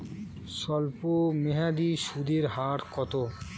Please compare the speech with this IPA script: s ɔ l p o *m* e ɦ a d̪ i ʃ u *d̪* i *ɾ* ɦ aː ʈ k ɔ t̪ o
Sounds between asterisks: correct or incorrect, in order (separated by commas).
correct, correct, correct